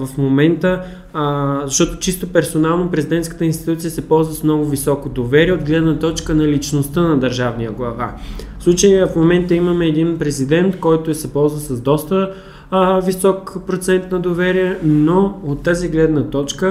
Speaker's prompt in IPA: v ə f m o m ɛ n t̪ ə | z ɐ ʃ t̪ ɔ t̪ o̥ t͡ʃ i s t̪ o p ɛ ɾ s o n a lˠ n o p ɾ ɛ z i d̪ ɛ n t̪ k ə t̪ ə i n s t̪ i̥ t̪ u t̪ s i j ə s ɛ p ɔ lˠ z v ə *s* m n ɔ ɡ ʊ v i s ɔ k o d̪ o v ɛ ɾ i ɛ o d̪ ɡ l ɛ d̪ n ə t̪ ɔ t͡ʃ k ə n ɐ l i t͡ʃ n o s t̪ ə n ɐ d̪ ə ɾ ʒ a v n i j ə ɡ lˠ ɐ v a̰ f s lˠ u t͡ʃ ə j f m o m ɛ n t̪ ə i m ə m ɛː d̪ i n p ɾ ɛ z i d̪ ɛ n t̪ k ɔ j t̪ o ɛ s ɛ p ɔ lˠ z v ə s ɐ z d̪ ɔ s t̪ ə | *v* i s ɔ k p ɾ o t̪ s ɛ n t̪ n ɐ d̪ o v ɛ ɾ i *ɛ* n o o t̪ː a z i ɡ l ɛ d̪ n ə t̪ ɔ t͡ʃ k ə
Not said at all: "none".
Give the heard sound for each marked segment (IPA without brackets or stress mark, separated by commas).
s, v, ɛ